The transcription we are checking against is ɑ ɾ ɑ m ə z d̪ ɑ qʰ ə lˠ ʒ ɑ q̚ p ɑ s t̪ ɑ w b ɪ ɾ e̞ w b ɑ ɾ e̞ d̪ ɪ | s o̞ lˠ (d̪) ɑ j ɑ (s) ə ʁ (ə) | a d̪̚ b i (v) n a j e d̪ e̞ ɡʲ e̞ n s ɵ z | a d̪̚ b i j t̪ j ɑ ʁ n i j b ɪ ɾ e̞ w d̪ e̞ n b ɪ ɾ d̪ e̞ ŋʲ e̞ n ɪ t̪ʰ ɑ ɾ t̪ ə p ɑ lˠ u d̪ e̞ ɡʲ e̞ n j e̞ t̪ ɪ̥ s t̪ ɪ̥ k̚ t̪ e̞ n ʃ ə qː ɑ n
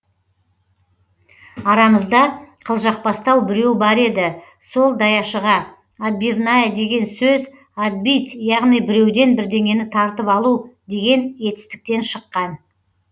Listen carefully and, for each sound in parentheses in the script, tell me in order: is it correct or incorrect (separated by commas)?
correct, incorrect, incorrect, correct